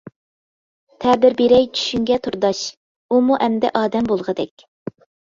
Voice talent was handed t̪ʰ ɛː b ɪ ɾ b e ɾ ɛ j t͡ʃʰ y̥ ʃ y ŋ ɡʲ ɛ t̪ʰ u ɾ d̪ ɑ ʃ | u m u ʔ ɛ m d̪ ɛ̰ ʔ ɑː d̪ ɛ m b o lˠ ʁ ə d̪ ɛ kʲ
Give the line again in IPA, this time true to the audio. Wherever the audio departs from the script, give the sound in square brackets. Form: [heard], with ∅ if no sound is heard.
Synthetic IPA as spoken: t̪ʰ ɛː b ɪ ɾ b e ɾ ɛ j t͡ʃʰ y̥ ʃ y ŋ ɡʲ ɛ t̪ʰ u ɾ d̪ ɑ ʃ | u m u ʔ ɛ m d̪ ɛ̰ ʔ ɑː d̪ ɛ m b o lˠ ʁ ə d̪ ɛ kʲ